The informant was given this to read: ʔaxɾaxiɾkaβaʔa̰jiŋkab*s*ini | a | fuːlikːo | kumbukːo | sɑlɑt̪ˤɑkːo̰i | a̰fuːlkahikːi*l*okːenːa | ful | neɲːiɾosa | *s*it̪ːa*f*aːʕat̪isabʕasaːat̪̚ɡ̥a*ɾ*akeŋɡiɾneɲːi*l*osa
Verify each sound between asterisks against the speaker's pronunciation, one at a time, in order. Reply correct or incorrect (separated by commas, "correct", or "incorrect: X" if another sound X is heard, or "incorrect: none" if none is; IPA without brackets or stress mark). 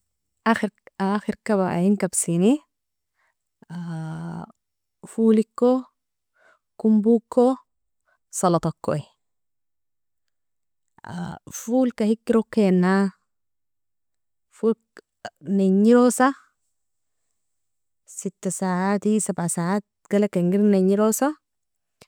correct, incorrect: ɾ, correct, incorrect: s, incorrect: l, incorrect: ɾ